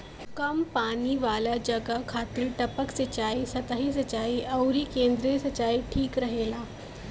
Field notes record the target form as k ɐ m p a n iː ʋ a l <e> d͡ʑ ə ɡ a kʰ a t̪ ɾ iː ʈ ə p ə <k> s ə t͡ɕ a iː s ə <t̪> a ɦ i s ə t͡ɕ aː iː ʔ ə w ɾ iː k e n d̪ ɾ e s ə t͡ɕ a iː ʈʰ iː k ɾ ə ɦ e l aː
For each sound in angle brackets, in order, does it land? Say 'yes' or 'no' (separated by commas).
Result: no, yes, yes